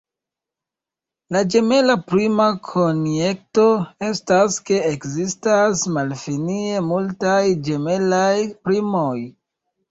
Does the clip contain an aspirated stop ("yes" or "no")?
yes